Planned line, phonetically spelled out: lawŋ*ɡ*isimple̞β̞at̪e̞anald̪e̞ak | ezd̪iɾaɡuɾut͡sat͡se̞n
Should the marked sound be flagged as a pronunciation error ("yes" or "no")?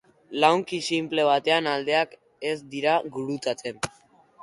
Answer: yes